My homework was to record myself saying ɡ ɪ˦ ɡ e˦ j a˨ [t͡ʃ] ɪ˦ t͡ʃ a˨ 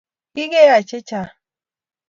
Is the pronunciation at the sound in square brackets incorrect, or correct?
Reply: correct